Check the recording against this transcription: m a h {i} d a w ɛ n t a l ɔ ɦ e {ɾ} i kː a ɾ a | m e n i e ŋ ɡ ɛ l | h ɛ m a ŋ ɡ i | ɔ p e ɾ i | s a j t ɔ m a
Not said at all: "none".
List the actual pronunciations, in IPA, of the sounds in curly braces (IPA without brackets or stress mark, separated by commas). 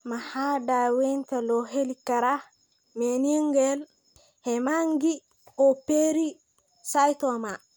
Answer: a, l